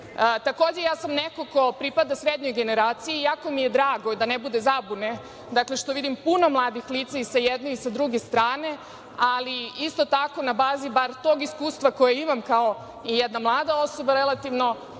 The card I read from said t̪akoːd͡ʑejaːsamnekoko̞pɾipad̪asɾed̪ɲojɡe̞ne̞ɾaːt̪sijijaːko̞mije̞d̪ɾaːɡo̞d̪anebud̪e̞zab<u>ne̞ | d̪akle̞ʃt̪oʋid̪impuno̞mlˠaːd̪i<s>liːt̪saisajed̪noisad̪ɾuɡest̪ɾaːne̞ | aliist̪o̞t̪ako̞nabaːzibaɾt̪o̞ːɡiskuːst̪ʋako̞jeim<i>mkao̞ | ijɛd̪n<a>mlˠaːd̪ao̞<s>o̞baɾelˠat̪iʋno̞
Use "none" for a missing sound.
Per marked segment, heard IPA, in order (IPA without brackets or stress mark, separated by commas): u, x, a, a, s